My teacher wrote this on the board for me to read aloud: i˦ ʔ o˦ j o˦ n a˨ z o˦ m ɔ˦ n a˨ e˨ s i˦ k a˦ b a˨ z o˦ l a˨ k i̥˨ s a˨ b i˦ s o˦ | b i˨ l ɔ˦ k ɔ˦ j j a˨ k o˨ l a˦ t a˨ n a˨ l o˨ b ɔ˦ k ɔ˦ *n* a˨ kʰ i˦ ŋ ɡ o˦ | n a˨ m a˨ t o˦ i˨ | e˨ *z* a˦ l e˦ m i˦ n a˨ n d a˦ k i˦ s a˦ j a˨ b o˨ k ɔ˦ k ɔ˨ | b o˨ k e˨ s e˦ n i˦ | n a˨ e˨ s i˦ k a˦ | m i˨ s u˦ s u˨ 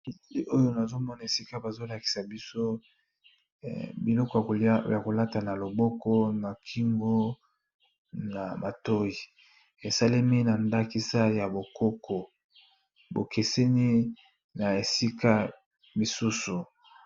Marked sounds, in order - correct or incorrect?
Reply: correct, incorrect

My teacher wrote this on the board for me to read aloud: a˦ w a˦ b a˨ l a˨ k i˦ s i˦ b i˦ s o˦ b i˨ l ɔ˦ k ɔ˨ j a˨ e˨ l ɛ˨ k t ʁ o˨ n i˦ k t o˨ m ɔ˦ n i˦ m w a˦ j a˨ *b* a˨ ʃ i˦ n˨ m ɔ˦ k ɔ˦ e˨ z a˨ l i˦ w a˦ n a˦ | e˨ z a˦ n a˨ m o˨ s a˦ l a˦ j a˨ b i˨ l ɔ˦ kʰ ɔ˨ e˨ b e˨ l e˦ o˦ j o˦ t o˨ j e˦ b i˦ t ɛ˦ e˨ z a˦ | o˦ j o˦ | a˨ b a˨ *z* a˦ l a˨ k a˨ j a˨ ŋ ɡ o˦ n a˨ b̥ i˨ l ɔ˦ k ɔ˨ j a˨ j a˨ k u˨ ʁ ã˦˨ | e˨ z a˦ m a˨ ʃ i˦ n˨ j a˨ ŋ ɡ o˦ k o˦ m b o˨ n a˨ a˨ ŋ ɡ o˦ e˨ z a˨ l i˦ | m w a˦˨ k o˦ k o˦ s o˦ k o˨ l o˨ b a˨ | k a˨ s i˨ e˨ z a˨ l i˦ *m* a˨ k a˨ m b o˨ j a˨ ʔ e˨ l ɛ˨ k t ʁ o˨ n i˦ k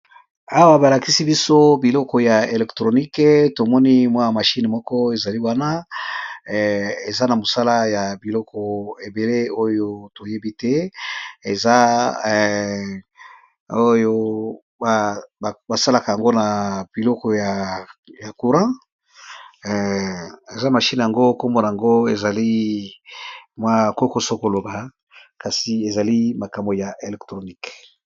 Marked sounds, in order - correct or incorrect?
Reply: incorrect, incorrect, correct

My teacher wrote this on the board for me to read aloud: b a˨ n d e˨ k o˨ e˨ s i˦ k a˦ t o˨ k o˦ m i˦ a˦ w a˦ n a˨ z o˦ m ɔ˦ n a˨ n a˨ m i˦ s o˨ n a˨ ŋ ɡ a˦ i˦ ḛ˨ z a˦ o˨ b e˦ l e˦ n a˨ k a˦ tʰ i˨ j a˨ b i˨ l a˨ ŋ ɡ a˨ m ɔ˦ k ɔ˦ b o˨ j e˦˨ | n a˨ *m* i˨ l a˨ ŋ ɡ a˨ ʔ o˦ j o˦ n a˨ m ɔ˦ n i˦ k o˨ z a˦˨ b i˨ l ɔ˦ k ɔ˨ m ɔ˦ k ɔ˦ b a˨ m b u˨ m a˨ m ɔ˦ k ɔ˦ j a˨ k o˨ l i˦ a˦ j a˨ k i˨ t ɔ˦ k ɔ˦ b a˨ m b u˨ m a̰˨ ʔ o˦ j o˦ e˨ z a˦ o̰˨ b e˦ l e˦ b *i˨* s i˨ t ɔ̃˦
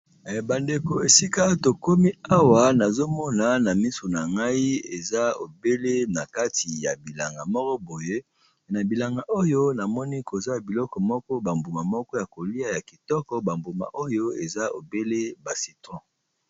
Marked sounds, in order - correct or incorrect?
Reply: incorrect, incorrect

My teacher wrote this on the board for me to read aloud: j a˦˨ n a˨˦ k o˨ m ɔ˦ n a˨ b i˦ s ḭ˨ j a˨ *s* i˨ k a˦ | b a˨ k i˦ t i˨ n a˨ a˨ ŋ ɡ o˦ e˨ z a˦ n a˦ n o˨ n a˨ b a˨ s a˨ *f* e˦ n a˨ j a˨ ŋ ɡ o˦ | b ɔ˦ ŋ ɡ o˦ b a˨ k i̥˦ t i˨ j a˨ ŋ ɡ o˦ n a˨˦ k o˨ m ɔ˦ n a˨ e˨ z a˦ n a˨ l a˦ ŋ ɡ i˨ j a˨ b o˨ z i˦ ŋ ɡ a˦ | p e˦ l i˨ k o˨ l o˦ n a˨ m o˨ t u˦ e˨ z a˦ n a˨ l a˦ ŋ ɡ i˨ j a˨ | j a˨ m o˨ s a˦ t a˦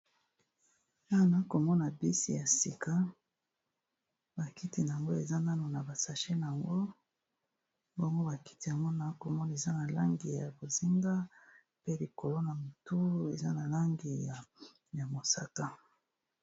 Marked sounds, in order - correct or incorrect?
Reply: correct, incorrect

